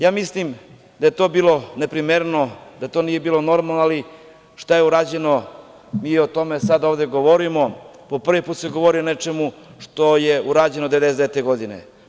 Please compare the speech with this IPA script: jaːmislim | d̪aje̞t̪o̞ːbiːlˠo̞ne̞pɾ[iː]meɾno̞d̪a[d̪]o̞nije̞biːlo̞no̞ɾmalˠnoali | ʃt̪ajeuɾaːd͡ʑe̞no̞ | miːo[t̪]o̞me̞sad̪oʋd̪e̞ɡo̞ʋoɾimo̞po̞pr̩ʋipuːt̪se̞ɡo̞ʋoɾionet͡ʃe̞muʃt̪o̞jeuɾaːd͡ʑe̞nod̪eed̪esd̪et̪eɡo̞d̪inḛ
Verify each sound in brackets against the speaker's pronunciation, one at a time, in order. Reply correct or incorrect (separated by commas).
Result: incorrect, incorrect, correct